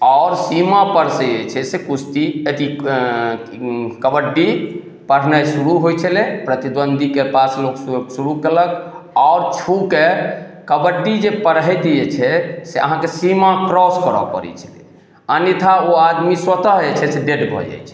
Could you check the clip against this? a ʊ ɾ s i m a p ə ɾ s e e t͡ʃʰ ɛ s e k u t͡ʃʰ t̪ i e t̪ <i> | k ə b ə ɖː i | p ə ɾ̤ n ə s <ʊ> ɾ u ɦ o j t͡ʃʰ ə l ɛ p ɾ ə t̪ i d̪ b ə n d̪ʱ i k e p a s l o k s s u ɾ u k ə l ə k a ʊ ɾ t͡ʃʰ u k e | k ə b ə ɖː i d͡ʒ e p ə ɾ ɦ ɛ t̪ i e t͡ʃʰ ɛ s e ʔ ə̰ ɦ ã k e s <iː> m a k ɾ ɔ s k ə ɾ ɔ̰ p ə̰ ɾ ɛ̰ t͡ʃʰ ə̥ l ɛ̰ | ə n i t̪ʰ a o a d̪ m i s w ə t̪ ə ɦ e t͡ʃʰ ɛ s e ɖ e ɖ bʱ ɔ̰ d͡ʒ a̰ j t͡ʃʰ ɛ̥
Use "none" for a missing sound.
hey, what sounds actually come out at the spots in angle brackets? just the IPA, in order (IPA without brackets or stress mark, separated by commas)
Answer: i, u, i